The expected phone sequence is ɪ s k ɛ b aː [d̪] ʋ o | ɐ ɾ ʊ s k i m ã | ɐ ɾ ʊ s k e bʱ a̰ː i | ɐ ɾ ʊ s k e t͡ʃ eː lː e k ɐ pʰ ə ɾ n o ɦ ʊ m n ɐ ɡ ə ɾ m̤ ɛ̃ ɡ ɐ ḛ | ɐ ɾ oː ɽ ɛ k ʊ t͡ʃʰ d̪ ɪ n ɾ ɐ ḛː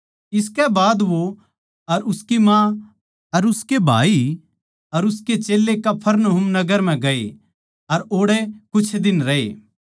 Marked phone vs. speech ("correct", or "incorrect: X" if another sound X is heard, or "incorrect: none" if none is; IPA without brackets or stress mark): correct